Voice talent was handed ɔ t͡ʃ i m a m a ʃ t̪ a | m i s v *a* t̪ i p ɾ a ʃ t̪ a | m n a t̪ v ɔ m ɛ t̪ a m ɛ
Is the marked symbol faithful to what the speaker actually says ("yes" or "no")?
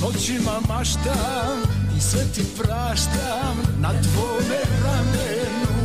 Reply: no